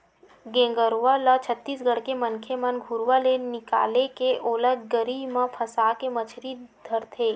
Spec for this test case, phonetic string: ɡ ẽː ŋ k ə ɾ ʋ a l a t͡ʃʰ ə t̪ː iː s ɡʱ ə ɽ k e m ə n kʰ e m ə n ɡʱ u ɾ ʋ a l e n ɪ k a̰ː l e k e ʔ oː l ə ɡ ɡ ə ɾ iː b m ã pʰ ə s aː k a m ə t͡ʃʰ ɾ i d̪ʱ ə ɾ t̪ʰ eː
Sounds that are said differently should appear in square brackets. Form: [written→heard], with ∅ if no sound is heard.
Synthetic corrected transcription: ɡ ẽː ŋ [k→ɡ] ə ɾ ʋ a l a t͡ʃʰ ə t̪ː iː s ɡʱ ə ɽ k e m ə n kʰ e m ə n ɡʱ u ɾ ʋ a l e n ɪ k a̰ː l e k e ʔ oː l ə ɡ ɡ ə ɾ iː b m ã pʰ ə s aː k [a→e] m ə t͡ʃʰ ɾ i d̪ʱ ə ɾ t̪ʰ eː

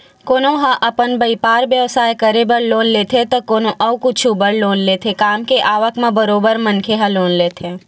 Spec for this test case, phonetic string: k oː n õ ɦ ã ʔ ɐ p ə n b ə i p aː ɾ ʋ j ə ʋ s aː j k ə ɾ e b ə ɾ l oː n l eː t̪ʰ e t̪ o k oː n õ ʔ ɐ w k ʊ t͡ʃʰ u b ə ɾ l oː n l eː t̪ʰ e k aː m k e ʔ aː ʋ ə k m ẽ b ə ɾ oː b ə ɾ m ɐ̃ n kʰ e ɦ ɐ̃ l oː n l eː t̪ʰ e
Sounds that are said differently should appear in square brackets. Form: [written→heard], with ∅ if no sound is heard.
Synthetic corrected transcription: k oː n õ ɦ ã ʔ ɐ p ə n b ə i p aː ɾ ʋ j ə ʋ s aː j k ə ɾ e b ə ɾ l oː n l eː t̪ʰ e t̪ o k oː n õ ʔ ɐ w k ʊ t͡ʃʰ u b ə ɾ l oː n l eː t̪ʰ e k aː m k e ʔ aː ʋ ə k m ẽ b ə ɾ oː b ə ɾ m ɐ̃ n kʰ e ɦ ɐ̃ l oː n l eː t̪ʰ e

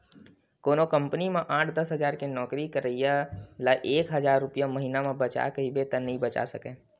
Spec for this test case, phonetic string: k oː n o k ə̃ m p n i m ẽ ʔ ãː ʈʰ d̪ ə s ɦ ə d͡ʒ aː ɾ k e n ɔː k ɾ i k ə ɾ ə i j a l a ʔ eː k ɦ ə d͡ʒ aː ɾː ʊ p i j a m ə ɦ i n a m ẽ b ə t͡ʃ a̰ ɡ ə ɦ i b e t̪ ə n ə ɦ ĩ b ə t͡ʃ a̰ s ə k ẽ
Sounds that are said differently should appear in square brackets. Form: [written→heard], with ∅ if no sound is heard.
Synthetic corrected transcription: k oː n o k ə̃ m p n i m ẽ ʔ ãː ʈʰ d̪ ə s ɦ ə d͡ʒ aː ɾ k e n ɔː k ɾ i k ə ɾ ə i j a l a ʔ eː k ɦ ə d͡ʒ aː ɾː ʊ p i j a m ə ɦ i n a m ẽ b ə t͡ʃ a̰ [ɡ→k] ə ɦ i b e t̪ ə n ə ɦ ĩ b ə t͡ʃ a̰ s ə k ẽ

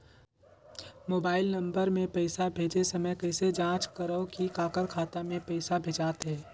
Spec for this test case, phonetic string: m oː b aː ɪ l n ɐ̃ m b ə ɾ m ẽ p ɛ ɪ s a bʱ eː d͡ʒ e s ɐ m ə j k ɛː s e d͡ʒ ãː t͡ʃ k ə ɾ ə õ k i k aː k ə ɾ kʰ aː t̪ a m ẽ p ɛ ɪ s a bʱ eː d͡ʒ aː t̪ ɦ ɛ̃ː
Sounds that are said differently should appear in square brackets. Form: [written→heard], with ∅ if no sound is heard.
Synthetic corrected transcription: m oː b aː ɪ l n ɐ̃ m b ə ɾ m ẽ p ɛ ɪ s a bʱ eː d͡ʒ e s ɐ m ə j k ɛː s e d͡ʒ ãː t͡ʃ k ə ɾ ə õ k i k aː k ə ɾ kʰ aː t̪ a m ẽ p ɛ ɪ s a bʱ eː d͡ʒ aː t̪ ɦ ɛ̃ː

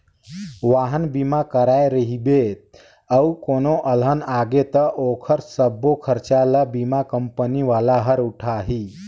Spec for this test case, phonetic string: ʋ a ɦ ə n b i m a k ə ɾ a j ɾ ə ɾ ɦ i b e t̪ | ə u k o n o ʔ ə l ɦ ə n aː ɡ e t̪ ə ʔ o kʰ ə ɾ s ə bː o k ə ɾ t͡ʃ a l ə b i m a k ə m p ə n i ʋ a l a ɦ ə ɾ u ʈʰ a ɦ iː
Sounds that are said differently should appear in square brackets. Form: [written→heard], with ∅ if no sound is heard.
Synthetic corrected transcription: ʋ a ɦ ə n b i m a k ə ɾ a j ɾ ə [ɾ→∅] ɦ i b e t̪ | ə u k o n o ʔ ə l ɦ ə n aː ɡ e t̪ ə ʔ o kʰ ə ɾ s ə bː o [k→kʰ] ə ɾ t͡ʃ a l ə b i m a k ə m p ə n i ʋ a l a ɦ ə ɾ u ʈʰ a ɦ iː

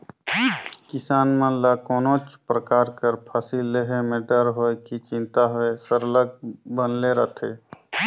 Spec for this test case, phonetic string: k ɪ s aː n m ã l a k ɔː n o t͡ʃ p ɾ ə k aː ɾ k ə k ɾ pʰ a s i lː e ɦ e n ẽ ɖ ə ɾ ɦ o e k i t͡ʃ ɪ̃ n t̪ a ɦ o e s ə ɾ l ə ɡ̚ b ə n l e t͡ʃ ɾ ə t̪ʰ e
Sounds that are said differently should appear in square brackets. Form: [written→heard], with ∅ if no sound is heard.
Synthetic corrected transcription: k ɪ s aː n m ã l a k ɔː n o t͡ʃ p ɾ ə k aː ɾ k ə [k→∅] ɾ pʰ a s i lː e ɦ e [n→m] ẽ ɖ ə ɾ ɦ o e k i t͡ʃ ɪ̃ n t̪ a ɦ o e s ə ɾ l ə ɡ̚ b ə n l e [t͡ʃ→∅] ɾ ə t̪ʰ e

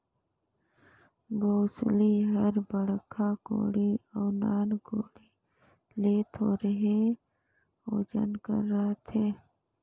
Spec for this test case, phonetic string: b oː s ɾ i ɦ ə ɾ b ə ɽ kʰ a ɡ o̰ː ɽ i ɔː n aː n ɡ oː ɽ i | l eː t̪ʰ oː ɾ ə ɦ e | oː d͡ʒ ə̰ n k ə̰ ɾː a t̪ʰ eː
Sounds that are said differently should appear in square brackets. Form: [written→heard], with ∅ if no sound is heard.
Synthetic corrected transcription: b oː s [ɾ→l] i ɦ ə ɾ b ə ɽ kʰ a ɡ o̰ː ɽ i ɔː n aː n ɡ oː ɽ i | l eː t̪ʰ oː ɾ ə ɦ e | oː d͡ʒ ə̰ n k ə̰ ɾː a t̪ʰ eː

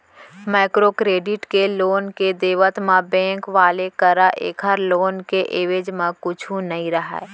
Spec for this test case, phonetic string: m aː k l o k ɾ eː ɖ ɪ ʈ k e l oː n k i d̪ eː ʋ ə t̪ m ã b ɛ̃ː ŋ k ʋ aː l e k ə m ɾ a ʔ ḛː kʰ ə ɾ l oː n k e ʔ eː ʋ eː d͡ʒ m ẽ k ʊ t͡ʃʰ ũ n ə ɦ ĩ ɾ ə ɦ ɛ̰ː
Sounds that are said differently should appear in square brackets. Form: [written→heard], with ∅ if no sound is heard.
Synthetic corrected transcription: m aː k [l→ɾ] o k ɾ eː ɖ ɪ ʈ k e l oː n k [i→e] d̪ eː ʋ ə t̪ m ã b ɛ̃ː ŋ k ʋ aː l e k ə [m→∅] ɾ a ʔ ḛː kʰ ə ɾ l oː n k e ʔ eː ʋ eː d͡ʒ m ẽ k ʊ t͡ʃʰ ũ n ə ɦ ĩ ɾ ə ɦ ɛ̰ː

